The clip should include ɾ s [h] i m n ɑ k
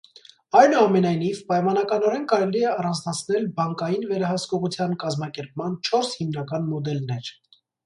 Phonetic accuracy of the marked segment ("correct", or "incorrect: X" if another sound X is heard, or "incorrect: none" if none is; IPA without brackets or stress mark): correct